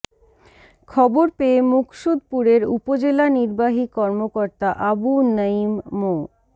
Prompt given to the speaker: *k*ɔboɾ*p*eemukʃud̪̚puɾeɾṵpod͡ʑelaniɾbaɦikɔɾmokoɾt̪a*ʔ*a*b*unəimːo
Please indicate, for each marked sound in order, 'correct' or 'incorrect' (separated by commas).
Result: incorrect, correct, correct, correct